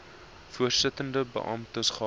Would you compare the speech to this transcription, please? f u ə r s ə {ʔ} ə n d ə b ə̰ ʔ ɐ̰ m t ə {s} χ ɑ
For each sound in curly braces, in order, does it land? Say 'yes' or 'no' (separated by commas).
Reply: no, yes